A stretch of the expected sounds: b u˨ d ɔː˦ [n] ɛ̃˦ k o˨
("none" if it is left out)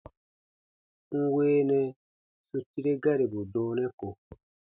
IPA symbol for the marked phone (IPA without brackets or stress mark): n